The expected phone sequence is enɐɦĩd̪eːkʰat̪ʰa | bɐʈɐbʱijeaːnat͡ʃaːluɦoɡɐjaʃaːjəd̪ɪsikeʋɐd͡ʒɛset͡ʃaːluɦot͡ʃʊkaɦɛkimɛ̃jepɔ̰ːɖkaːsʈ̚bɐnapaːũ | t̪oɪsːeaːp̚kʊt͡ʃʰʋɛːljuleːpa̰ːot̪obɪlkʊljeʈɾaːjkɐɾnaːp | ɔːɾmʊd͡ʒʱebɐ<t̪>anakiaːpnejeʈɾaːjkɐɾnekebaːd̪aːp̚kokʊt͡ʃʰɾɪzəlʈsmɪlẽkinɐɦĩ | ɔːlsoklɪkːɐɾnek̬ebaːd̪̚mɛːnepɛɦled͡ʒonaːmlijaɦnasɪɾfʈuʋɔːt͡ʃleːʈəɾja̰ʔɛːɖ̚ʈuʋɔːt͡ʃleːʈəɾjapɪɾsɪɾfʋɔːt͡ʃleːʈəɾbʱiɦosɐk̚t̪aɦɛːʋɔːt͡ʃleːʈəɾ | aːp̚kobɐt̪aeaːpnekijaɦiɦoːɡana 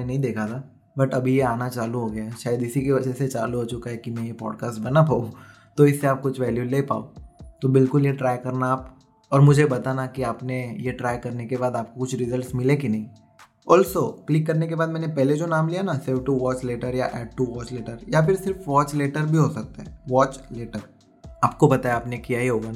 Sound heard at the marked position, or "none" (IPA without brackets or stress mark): t̪